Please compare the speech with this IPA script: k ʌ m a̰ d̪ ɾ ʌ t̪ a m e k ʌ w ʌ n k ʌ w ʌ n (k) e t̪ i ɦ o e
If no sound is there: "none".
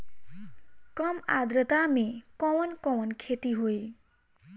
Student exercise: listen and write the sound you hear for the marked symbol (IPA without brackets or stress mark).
kʰ